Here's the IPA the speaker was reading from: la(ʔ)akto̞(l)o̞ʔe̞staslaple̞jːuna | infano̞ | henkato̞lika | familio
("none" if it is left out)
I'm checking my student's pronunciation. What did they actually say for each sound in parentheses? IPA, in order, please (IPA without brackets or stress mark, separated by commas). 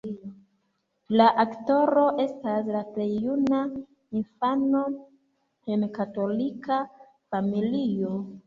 ʔ, ɾ